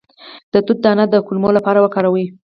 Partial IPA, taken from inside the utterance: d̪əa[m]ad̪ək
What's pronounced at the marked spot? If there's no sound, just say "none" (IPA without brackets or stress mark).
n